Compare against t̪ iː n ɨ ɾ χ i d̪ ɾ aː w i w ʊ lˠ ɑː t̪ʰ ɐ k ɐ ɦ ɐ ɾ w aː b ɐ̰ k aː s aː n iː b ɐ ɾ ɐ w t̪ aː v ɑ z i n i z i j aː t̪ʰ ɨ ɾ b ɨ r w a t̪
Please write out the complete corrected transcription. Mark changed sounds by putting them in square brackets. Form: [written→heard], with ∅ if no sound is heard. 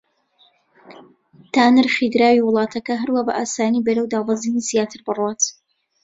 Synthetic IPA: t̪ [iː→aː] n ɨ ɾ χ i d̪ ɾ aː w i w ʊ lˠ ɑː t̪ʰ ɐ k ɐ ɦ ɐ ɾ w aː b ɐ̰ [k→ʔ] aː s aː n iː b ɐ ɾ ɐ w [t̪→d̪] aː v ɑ z i n i z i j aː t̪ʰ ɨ ɾ b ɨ r w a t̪

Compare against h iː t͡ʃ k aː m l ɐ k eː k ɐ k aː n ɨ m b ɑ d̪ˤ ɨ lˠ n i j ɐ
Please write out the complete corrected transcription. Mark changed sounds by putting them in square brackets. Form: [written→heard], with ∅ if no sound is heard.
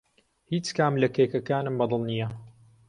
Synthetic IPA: h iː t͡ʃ k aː m l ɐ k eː k ɐ k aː n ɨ m b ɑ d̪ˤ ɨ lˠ n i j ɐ

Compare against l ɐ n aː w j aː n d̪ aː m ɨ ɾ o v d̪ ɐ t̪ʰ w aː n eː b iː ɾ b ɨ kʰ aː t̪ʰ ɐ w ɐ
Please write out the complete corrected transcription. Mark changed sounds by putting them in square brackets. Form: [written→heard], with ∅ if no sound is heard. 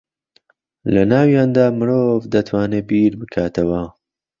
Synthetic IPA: l ɐ n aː w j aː n d̪ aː m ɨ ɾ o v d̪ ɐ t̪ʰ w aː n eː b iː ɾ b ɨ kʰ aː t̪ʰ ɐ w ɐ

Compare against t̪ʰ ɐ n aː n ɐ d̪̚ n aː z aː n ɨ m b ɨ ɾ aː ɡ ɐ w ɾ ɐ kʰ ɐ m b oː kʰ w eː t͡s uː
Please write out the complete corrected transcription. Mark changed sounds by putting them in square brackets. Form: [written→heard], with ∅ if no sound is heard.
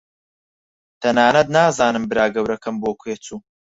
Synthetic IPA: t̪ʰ ɐ n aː n ɐ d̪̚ n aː z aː n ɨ m b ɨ ɾ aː ɡ ɐ w ɾ ɐ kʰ ɐ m b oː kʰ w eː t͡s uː

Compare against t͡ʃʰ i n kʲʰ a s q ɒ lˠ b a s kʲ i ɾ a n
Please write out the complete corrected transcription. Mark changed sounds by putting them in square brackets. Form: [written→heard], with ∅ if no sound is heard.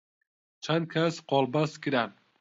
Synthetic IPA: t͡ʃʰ [i→a] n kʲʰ a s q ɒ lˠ b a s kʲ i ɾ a n

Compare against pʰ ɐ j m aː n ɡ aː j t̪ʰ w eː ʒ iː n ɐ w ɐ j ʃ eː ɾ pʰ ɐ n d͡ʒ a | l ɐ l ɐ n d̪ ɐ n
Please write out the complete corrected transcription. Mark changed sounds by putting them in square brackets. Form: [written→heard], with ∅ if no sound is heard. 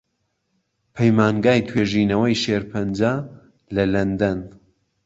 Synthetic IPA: pʰ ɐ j m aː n ɡ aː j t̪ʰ w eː ʒ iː n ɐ w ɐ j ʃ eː ɾ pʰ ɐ n d͡ʒ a | l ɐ l ɐ n d̪ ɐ n

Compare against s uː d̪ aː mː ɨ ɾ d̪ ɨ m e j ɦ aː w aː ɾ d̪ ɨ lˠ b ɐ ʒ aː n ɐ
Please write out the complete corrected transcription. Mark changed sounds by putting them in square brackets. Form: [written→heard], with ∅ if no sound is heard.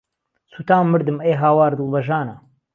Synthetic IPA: s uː [d̪→t̪] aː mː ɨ ɾ d̪ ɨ m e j ɦ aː w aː ɾ d̪ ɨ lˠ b ɐ ʒ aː n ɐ

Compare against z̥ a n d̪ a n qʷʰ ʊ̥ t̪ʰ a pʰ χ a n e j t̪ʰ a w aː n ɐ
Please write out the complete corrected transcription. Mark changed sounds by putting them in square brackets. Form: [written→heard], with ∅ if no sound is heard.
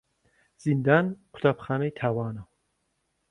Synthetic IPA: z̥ [a→i] n d̪ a n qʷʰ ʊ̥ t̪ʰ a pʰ χ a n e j t̪ʰ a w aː n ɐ

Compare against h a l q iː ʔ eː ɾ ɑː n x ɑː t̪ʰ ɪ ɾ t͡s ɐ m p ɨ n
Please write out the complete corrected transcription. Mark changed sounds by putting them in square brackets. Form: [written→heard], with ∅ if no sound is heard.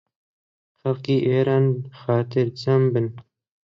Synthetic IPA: [h→x] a l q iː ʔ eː ɾ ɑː n x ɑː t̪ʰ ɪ ɾ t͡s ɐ m [p→b] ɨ n

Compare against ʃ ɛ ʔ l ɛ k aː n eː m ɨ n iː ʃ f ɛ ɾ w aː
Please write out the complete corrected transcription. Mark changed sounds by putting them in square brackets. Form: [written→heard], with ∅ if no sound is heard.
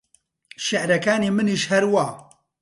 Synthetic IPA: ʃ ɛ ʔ [l→ɾ] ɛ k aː n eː m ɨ n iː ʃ [f→h] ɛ ɾ w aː

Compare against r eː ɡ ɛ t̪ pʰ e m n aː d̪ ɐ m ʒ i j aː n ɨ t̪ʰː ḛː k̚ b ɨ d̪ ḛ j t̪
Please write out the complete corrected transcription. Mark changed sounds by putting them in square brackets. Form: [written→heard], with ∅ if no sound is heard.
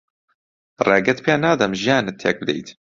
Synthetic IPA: r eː ɡ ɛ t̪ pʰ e [m→∅] n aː d̪ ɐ m ʒ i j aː n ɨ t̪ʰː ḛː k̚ b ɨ d̪ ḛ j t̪

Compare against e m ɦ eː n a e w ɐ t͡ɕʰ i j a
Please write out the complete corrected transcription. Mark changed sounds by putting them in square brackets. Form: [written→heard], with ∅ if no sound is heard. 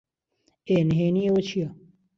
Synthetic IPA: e [m→n] ɦ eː n [a→i] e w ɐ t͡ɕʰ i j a

